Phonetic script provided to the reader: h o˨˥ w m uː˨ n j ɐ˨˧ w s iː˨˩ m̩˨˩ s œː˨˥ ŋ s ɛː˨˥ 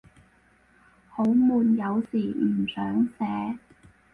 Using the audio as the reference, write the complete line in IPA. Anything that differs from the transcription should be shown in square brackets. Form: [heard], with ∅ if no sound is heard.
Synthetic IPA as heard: h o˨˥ w m uː˨ n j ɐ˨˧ w s iː˨˩ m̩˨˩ s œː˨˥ ŋ s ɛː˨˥